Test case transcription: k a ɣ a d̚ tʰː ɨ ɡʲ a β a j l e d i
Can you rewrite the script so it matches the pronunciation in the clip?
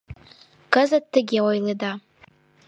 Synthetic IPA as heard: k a z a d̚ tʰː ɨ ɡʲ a w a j l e d a